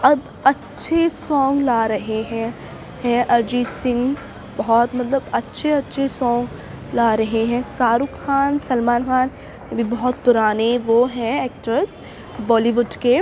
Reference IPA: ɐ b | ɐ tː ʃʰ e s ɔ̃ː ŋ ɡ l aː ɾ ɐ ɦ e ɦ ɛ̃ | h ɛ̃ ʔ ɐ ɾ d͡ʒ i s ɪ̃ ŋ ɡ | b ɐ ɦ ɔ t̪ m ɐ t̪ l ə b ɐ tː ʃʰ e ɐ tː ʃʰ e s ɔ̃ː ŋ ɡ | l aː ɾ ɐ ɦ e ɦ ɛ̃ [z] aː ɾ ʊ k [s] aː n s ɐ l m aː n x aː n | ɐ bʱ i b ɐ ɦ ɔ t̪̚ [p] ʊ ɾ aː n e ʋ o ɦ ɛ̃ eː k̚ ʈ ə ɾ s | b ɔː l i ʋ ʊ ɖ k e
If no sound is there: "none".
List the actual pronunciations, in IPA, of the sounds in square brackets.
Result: s, x, p

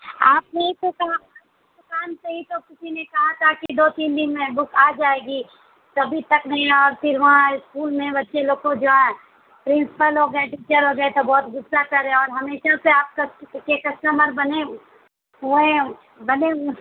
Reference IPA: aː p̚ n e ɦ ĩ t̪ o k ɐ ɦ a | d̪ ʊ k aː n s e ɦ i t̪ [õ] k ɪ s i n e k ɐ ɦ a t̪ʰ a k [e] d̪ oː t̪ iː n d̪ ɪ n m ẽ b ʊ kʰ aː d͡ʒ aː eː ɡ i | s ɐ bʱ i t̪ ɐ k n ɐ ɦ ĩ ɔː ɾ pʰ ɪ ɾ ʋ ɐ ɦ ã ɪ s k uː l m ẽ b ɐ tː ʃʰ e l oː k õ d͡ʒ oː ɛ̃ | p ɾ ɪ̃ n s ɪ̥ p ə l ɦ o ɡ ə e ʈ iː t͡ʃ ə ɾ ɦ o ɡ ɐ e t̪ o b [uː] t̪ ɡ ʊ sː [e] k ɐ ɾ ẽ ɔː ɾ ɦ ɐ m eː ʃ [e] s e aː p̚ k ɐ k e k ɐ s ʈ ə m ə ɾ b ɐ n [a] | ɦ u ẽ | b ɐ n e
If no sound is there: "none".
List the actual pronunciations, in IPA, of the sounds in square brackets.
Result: o, i, ɔː, a, a, e

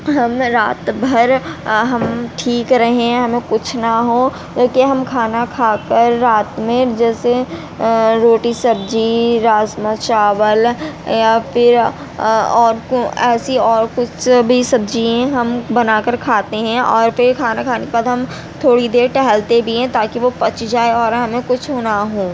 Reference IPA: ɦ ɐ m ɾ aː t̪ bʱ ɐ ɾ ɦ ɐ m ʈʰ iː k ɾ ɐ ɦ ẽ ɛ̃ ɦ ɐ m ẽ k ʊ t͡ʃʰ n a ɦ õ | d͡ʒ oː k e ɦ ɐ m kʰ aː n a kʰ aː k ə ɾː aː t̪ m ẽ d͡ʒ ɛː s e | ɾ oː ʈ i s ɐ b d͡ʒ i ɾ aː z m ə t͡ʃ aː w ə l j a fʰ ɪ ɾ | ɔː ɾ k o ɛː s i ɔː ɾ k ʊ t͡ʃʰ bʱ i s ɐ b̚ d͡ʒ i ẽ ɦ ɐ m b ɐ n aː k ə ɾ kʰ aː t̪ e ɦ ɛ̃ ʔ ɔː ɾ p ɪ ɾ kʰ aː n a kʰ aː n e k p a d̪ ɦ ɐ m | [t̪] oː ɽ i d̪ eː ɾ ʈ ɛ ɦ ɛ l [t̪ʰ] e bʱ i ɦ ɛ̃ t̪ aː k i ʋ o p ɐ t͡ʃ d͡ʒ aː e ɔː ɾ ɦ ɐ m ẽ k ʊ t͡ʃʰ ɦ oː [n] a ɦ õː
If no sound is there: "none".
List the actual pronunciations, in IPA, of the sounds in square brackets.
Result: t̪ʰ, t̪, n

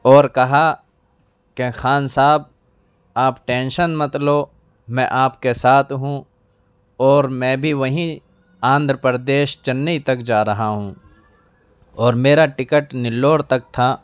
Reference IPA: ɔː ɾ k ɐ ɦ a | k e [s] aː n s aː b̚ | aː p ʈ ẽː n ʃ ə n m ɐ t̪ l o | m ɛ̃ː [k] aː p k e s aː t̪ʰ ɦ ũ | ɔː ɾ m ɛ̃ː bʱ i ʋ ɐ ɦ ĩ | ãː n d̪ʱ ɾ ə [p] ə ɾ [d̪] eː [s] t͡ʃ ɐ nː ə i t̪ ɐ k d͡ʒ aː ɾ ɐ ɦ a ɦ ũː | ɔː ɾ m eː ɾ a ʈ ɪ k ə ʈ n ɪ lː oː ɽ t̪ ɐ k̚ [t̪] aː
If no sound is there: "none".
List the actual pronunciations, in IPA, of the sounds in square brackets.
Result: x, ʔ, p, d̪, ʃ, t̪ʰ

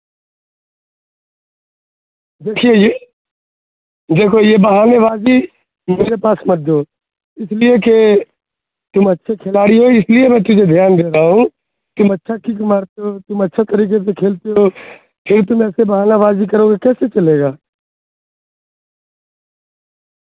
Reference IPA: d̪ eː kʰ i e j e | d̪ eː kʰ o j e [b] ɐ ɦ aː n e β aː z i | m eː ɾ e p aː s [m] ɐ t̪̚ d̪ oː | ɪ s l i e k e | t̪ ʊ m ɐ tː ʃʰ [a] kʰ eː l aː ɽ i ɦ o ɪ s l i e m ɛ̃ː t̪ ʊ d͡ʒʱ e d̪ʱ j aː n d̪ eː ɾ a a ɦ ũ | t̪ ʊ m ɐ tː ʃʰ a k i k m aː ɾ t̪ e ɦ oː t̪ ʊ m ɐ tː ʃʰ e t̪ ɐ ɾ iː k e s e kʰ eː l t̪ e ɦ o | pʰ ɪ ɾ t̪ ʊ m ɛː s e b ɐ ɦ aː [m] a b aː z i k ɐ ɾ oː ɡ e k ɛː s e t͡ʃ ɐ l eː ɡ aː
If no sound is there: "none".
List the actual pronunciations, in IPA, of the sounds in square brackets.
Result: b, m, e, n

